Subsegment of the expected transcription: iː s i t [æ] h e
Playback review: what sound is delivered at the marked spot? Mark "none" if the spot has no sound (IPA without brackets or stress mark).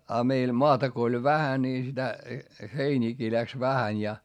æ